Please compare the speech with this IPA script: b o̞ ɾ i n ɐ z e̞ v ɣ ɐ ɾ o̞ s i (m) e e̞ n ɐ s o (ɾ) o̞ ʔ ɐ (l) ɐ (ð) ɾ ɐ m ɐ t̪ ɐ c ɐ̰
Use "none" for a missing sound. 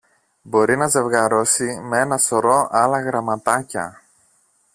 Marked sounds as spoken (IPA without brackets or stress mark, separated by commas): m, ɾ, l, ɣ